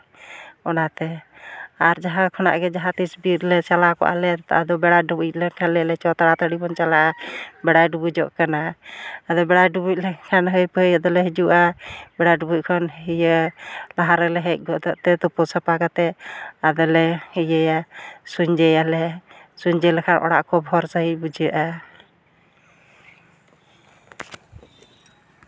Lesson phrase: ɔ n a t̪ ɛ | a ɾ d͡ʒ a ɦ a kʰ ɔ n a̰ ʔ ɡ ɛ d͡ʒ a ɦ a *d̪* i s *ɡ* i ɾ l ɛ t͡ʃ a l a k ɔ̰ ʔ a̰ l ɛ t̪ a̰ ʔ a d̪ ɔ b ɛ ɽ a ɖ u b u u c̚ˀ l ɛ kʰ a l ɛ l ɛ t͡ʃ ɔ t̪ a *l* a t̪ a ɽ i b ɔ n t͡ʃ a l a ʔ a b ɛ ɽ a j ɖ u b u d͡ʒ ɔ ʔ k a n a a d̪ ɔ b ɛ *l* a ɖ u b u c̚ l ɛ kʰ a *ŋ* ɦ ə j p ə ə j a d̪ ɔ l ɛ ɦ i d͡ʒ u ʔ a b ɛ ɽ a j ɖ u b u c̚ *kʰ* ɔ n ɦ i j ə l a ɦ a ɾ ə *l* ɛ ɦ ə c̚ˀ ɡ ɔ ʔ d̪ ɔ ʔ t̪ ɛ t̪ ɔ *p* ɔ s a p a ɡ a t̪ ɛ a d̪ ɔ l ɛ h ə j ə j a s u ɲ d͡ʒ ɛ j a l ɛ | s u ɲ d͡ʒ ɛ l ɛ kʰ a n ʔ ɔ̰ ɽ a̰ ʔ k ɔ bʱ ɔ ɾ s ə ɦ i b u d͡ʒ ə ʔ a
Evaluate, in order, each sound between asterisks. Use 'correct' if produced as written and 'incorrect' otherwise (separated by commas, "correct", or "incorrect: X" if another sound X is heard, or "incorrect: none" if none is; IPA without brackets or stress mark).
incorrect: t̪, incorrect: b, incorrect: ɽ, incorrect: ɽ, incorrect: n, correct, correct, correct